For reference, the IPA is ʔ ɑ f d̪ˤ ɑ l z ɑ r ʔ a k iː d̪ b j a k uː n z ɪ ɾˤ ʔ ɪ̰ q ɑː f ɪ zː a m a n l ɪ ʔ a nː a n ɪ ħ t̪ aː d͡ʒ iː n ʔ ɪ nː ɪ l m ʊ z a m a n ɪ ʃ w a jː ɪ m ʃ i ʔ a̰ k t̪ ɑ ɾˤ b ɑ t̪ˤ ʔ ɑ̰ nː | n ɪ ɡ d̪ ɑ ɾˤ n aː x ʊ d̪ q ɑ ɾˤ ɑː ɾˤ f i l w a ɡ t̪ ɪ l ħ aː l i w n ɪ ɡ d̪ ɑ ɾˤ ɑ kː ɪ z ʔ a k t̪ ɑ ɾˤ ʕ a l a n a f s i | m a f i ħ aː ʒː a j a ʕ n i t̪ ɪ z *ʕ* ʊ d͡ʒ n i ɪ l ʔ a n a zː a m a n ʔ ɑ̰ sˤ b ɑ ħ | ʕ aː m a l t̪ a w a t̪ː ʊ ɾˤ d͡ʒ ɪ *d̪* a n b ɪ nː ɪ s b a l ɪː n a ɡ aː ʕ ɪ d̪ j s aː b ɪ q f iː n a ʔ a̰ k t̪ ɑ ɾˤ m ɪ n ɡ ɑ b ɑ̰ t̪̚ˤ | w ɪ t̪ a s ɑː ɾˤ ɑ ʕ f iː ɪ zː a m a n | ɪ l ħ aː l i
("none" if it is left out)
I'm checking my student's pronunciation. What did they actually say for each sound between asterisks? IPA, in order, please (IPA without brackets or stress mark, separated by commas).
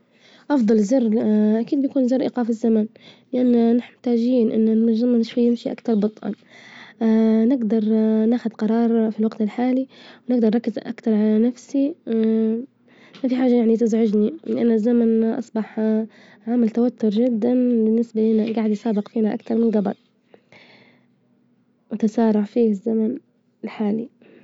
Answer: ʕ, d̪ː